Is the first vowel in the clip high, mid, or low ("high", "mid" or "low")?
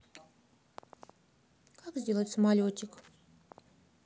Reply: low